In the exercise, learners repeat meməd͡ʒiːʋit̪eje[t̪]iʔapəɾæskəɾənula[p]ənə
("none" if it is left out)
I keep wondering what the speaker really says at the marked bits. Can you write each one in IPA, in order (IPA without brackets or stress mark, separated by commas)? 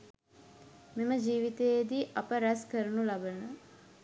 d̪, b